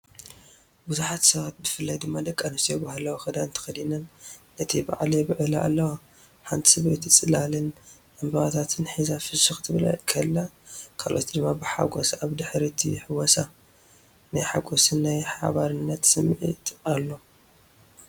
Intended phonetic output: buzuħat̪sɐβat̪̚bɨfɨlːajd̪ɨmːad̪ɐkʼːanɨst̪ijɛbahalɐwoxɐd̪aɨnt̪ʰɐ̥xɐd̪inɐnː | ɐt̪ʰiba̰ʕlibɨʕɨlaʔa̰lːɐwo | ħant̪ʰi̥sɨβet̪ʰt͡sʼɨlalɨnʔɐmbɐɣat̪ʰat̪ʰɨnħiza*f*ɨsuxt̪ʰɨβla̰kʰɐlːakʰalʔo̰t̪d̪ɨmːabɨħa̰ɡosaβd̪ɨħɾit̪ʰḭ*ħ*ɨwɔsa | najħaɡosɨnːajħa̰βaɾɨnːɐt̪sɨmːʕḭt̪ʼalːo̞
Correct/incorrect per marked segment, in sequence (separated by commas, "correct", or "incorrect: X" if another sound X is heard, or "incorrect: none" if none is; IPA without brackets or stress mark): correct, correct